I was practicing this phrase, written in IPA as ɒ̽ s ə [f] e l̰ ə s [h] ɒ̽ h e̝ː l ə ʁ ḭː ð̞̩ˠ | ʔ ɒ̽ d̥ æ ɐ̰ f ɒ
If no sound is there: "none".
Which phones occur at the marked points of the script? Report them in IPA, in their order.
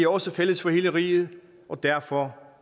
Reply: f, f

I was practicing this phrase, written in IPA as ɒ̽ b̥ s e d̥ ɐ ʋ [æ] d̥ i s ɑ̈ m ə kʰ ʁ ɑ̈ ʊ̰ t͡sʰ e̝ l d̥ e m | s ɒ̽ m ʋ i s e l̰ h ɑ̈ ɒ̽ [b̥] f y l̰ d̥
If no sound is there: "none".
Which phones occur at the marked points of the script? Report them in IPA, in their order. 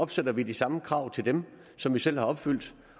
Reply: i, b̥

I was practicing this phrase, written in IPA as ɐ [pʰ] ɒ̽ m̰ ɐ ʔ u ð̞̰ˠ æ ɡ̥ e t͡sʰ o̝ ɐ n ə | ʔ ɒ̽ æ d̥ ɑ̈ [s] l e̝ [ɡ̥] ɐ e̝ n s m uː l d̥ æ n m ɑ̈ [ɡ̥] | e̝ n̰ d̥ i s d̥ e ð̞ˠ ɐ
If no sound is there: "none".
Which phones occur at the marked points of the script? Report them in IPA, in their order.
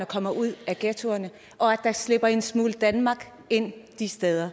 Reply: kʰ, s, b̥, ɡ̥

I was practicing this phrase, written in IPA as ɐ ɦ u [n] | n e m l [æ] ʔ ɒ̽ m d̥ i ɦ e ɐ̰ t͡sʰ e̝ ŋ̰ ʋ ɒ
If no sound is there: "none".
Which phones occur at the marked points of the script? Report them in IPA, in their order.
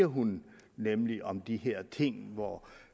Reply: n, i

